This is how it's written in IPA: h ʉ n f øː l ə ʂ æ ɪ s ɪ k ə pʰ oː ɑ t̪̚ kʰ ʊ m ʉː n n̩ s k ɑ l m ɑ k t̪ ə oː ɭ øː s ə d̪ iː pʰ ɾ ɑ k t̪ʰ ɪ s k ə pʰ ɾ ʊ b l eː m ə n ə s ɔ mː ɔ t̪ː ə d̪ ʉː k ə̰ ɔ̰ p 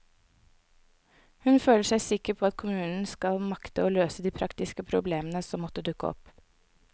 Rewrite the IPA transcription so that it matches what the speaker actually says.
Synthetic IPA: h ʉ n f øː l ə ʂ æ ɪ s ɪ k ə pʰ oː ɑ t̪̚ kʰ ʊ m ʉː n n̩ s k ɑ l m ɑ k t̪ ə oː l øː s ə d̪ iː pʰ ɾ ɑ k t̪ ɪ s k ə pʰ ɾ ʊ b l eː m ə n ə s ɔ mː ɔ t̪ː ə d̪ ʉ k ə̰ ɔ̰ p